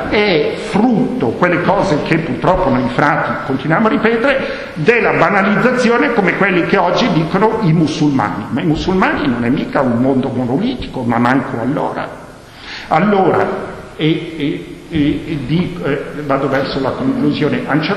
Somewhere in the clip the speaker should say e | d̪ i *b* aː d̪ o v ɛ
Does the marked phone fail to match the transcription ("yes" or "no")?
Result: yes